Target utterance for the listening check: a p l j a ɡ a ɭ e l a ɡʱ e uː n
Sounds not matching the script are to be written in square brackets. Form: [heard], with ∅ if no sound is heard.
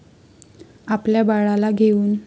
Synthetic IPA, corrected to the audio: a p l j a [b] a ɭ [a] l a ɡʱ e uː n